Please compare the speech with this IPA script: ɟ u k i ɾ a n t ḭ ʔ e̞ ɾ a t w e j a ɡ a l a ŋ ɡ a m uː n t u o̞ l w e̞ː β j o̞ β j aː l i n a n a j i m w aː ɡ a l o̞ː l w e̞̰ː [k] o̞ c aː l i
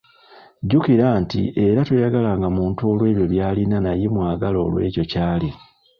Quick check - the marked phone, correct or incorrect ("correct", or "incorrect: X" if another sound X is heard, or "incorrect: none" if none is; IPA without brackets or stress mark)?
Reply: incorrect: c